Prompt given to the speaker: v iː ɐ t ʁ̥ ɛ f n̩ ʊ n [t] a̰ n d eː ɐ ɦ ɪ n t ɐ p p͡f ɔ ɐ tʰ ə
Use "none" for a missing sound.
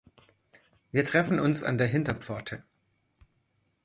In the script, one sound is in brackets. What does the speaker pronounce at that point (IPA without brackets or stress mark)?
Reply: s